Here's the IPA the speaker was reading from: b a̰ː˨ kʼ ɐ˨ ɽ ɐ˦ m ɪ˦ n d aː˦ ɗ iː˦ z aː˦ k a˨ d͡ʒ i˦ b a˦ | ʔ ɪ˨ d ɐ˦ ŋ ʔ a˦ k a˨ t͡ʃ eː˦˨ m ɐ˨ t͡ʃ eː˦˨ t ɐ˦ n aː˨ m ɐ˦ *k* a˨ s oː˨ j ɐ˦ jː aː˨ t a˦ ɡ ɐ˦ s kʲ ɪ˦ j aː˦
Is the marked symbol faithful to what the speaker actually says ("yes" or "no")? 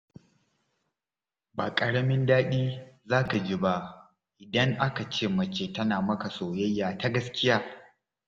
yes